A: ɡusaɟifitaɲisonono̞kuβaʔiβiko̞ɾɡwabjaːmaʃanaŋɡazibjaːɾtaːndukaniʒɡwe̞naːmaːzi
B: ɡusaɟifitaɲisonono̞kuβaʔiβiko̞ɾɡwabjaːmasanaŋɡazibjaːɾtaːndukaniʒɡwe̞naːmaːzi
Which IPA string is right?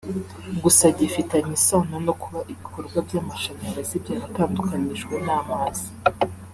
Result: A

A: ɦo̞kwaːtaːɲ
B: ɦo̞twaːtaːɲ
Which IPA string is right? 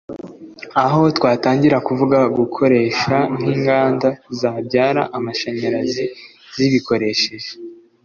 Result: B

